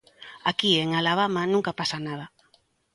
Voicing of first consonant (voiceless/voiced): voiceless